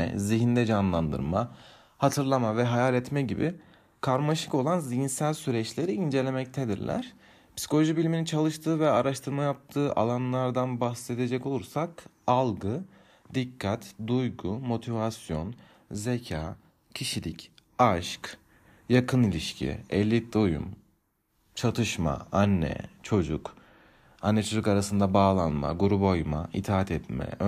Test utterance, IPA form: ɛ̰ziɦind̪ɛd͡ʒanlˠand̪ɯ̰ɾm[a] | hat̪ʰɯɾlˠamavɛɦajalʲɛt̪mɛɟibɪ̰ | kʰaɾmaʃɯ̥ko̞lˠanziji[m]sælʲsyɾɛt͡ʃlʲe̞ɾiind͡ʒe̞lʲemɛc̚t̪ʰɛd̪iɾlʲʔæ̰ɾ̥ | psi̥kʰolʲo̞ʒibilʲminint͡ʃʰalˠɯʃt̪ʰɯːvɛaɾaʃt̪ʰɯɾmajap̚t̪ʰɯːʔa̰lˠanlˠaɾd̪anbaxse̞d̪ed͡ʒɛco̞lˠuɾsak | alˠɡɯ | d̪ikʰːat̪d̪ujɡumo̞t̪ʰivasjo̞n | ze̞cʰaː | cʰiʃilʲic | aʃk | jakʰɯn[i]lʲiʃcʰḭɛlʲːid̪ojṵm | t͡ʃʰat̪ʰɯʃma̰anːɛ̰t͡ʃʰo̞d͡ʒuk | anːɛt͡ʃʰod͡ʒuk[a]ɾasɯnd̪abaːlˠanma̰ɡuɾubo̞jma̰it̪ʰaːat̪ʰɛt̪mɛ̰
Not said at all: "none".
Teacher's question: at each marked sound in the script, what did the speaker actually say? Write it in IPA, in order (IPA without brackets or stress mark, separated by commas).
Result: a, n, i, a